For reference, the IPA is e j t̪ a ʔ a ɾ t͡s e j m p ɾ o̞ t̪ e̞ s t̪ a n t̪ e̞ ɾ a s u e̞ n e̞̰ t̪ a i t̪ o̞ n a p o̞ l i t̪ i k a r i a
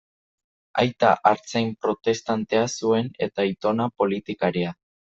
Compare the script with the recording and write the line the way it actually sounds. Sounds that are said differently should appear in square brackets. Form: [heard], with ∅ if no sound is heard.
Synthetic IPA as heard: [a] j t̪ a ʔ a ɾ t͡s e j m p ɾ o̞ t̪ e̞ s t̪ a n t̪ e̞ [∅] a s u e̞ n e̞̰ t̪ a i t̪ o̞ n a p o̞ l i t̪ i k a [ɾ] i a